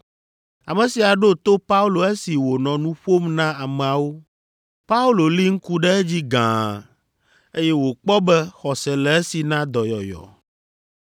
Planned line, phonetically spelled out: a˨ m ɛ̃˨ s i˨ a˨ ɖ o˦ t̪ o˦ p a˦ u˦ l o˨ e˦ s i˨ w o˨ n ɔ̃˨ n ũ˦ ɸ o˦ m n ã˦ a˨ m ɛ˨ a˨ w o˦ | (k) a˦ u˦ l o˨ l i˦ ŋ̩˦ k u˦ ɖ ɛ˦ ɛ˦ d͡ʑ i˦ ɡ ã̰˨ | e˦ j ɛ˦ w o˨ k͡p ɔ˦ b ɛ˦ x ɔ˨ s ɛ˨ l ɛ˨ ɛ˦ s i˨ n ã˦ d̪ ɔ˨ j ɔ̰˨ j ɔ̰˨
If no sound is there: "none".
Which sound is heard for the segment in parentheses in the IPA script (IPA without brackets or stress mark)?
p